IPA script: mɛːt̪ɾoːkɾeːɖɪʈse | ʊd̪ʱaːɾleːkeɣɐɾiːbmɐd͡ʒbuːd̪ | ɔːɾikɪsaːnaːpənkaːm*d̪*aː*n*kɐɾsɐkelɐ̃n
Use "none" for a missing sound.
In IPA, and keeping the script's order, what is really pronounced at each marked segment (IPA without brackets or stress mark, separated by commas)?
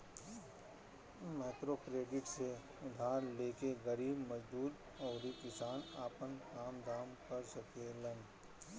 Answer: d̪, m